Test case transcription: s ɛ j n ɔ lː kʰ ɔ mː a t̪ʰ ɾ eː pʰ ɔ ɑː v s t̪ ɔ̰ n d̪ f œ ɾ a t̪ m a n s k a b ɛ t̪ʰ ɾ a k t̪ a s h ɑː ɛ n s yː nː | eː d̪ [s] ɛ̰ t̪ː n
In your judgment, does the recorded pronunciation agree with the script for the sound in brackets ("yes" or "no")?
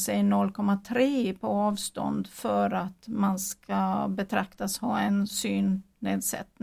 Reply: yes